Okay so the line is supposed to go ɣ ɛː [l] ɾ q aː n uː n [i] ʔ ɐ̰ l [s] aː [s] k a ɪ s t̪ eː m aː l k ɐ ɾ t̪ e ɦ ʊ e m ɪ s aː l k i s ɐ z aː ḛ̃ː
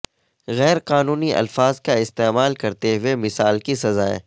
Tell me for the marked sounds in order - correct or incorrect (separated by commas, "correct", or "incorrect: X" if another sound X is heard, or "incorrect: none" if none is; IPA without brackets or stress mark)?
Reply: incorrect: none, correct, incorrect: f, incorrect: z